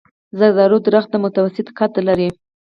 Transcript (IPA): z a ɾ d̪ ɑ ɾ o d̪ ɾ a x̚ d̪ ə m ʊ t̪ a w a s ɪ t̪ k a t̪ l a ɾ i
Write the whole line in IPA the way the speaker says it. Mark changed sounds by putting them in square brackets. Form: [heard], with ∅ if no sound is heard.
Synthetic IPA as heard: z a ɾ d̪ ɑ ɾ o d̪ ɾ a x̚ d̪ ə m ʊ t̪ a w a s ɪ t̪ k a t̪ l a ɾ i